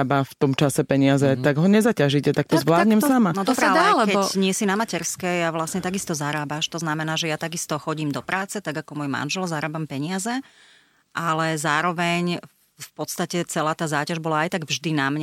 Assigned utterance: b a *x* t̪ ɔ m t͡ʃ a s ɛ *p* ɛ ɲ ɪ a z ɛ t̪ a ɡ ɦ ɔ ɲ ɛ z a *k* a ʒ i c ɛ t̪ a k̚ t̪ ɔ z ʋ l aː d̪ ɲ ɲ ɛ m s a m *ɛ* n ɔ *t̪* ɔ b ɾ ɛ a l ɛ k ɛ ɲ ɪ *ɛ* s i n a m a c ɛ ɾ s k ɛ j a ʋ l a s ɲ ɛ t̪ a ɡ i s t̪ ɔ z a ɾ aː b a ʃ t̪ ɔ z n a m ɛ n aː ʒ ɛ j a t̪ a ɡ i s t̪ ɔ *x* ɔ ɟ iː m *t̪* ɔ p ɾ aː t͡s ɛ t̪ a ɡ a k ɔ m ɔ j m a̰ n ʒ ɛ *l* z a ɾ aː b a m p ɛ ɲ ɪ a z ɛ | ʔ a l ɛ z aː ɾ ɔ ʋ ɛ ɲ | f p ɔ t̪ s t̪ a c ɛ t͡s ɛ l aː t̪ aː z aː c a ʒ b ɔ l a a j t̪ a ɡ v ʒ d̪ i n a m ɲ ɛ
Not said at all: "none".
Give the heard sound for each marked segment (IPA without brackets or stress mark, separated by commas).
f, p, c, a, d̪, ɛ, x, d̪, l